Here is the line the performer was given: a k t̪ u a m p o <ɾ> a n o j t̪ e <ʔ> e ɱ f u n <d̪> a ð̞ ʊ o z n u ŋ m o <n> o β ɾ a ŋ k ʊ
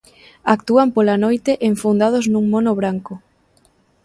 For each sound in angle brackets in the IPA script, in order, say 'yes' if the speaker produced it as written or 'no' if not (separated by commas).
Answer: no, yes, yes, yes